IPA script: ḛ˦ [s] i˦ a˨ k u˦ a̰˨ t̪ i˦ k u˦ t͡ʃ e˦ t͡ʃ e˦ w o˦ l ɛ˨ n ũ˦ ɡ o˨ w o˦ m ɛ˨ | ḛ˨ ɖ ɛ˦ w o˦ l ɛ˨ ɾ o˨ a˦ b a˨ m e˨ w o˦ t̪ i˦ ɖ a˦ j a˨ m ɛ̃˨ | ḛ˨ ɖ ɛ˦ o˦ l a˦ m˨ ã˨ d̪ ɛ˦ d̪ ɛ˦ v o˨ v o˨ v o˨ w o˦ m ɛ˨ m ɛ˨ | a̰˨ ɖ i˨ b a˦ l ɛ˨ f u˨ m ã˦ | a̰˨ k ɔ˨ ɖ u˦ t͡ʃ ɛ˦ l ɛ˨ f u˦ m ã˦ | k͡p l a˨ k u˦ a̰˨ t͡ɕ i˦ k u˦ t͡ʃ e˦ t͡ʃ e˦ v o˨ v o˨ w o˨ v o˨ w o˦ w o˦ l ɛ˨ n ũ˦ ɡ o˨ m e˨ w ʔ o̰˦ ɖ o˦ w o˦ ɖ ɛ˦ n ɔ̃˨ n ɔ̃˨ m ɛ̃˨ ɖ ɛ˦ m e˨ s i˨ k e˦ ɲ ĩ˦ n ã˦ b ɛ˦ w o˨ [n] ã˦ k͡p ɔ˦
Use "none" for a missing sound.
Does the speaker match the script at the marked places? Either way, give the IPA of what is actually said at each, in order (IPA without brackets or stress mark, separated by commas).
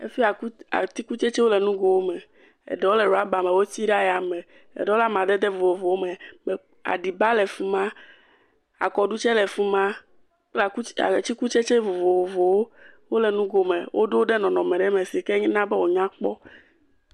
f, ɲ